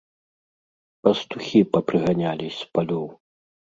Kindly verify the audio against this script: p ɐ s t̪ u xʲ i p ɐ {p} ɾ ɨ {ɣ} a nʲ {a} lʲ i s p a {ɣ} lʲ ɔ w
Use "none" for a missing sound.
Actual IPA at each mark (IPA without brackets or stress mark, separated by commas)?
p, ɣ, a, none